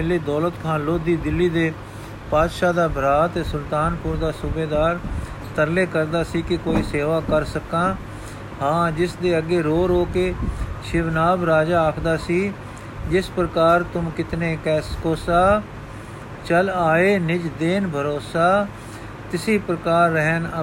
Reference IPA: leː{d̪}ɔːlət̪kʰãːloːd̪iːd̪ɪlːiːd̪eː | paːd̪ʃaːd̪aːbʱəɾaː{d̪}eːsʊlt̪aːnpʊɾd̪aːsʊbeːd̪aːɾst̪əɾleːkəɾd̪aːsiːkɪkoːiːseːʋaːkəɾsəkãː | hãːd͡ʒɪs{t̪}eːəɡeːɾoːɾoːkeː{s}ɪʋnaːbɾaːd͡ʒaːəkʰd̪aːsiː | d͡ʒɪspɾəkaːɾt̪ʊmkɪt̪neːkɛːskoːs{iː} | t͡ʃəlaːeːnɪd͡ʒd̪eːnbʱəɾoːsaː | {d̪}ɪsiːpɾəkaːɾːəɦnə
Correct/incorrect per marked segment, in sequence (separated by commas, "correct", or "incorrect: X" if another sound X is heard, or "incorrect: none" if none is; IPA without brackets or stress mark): correct, incorrect: t̪, incorrect: d̪, incorrect: ʃ, incorrect: aː, incorrect: t̪